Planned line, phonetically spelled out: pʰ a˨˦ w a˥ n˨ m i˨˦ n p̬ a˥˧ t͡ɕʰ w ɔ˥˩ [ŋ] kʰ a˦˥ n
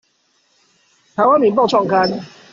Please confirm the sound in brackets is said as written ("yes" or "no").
yes